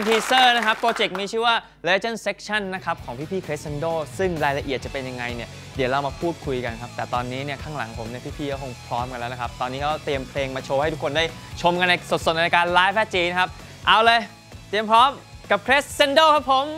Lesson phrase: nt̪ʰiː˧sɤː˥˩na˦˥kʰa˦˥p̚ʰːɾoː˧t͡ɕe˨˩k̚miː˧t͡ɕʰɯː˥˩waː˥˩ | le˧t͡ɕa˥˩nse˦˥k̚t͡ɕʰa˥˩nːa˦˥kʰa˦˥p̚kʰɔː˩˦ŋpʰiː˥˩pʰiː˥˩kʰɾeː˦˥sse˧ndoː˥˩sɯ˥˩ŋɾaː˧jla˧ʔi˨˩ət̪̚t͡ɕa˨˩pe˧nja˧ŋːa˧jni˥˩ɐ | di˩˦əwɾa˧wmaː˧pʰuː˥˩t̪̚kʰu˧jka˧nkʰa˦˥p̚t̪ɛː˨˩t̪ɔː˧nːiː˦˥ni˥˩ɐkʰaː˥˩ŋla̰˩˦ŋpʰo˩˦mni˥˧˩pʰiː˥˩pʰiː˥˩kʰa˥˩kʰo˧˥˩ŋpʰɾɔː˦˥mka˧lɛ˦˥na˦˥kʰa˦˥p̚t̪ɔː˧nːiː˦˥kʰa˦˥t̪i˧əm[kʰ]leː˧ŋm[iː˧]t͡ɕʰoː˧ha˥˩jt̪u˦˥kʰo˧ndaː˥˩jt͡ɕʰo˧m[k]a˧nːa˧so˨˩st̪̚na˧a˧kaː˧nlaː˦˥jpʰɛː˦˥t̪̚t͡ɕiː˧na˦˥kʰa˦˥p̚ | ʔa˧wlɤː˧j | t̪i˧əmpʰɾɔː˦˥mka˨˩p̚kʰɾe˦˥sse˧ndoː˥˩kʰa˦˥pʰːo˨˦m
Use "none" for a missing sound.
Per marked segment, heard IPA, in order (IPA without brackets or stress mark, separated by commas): pʰ, aː˧, k